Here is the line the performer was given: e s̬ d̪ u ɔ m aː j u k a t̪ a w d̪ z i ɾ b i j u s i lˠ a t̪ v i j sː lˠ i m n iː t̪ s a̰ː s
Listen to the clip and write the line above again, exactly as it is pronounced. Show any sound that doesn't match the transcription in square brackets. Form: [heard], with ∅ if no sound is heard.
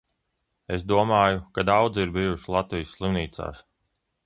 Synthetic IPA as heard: e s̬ d̪ u ɔ m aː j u k a [d̪] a w d̪ z i ɾ b i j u [ʃ] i lˠ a t̪ v i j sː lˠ i m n iː t̪ s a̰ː s